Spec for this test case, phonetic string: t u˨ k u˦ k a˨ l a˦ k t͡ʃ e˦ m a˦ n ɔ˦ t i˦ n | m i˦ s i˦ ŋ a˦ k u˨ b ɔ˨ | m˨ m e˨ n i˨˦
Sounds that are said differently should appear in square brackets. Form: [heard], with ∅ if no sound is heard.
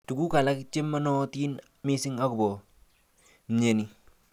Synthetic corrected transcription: t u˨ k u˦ k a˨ l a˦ k t͡ʃ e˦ m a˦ n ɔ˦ t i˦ n | m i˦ s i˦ ŋ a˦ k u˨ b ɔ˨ | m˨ [ɲ] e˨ n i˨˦